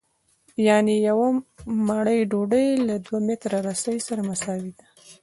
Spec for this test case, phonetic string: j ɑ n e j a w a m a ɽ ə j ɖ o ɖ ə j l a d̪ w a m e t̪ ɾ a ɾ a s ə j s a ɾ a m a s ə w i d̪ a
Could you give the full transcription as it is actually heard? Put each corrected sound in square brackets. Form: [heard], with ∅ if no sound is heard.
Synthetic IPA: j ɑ n e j a w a m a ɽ ə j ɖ o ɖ ə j l a d̪ w a m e t̪ ɾ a ɾ a s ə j s a ɾ a m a s [ɑ] w i d̪ a